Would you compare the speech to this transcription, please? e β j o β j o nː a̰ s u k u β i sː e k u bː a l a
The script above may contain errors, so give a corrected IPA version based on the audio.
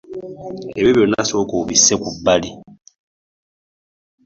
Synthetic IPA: e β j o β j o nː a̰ s o k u β i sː e k u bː a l i